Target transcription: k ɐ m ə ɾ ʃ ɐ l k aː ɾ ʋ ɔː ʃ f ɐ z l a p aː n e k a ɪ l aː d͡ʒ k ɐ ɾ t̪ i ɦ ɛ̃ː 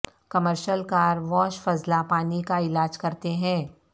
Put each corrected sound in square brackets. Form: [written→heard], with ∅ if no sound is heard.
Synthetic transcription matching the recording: k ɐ m ə ɾ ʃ [ɐ→ə] l k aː ɾ ʋ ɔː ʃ f ɐ z l a p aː n [e→i] k a ɪ l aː d͡ʒ k ɐ ɾ t̪ [i→e] ɦ ɛ̃ː